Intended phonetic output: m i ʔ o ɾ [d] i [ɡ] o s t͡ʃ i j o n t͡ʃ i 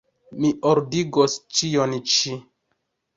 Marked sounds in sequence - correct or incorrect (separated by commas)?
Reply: correct, correct